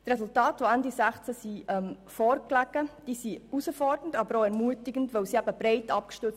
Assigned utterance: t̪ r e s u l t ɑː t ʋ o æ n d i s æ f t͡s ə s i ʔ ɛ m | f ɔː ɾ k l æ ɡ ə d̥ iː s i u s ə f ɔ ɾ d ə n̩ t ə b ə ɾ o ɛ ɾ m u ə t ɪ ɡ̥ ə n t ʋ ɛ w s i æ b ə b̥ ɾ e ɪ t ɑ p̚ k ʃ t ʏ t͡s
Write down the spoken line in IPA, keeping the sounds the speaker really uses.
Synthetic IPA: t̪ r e s u l t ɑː t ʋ o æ n d i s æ χ t͡s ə s i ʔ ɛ m | f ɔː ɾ k l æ ɡ ə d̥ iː s i u s ə f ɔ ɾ d ə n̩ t ɑ b ə ɾ o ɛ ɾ m u ə t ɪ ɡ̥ ə n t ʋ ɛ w s i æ b ə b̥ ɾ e ɪ t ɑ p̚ k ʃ t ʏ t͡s